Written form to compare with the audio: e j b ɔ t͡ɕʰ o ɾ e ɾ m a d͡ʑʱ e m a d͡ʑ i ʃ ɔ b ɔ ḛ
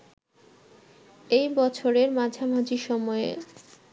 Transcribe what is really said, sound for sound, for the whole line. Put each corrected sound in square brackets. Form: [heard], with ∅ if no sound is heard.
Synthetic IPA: e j b ɔ t͡ɕʰ o ɾ e ɾ m a d͡ʑʱ [a] m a d͡ʑ i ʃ ɔ [m] ɔ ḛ